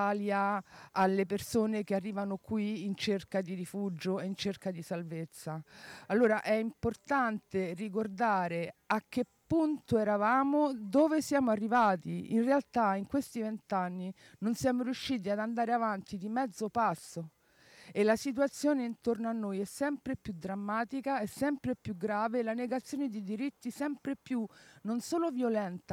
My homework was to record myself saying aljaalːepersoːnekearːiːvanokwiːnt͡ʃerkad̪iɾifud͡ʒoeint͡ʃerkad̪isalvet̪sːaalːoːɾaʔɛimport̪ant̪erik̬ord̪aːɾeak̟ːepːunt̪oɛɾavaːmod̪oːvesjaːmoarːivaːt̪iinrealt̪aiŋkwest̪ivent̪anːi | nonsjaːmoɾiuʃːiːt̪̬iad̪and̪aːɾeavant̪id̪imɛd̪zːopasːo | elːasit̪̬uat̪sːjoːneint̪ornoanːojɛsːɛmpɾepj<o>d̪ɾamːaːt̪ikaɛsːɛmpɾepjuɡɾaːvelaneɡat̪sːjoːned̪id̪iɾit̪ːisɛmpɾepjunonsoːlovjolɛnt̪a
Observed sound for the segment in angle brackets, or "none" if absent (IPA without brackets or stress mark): u